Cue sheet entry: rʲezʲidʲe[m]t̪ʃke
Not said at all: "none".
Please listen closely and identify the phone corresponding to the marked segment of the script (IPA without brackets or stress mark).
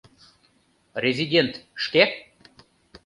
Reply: n